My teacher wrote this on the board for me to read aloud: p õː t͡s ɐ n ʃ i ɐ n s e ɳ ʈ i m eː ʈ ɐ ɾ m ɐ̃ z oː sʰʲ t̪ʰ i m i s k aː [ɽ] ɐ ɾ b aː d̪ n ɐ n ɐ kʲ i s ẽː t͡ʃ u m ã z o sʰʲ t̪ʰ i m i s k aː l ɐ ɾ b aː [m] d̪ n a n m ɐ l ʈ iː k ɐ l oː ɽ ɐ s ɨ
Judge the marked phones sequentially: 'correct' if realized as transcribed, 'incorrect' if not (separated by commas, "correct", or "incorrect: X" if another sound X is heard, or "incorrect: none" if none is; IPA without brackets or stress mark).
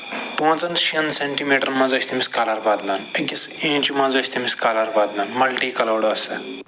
incorrect: l, incorrect: none